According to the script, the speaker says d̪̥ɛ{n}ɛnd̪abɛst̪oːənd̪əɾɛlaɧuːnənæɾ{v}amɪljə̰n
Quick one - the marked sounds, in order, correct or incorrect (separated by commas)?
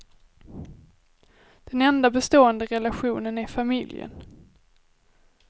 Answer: correct, incorrect